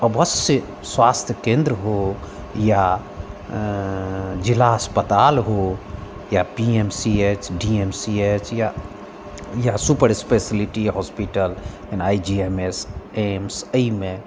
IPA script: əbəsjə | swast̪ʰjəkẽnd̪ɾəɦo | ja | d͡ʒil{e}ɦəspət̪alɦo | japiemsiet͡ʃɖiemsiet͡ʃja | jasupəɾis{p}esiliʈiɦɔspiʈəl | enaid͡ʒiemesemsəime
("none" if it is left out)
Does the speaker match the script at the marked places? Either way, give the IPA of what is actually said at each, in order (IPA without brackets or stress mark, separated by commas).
a, p